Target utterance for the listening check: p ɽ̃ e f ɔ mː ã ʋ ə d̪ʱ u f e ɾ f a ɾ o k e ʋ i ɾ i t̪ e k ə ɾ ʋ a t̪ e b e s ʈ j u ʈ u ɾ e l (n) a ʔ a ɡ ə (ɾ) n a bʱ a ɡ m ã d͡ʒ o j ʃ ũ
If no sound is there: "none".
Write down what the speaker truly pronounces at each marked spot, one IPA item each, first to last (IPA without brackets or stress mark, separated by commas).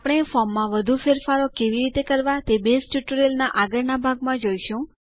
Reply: n, ɾ